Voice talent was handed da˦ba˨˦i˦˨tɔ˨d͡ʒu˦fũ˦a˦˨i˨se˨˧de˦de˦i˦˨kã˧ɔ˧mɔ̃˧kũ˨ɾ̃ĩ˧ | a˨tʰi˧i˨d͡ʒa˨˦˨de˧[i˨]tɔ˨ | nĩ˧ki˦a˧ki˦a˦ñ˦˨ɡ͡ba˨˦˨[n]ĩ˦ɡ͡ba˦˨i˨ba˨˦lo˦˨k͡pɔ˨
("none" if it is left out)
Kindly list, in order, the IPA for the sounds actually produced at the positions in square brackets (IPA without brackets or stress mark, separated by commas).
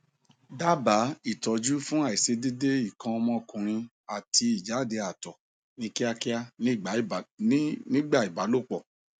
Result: a˨, n